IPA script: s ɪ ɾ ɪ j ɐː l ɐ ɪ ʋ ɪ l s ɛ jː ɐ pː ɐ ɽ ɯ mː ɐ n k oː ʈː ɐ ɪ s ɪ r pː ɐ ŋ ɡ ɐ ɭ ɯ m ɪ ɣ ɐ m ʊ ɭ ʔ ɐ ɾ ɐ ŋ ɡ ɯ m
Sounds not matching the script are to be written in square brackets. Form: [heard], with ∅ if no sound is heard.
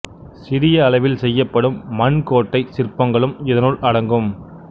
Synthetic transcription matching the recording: s ɪ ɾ ɪ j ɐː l ɐ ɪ ʋ ɪ l s ɛ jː ɐ pː ɐ ɽ ɯ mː ɐ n k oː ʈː ɐ ɪ s ɪ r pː ɐ ŋ ɡ ɐ ɭ ɯ m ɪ [ð] ɐ [n] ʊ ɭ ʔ ɐ [ɽ] ɐ ŋ ɡ ɯ m